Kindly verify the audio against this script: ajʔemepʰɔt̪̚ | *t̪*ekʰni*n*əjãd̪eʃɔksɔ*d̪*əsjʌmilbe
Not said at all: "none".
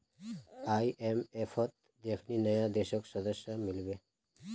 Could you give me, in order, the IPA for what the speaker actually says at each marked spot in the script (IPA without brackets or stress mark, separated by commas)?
d̪, n, d̪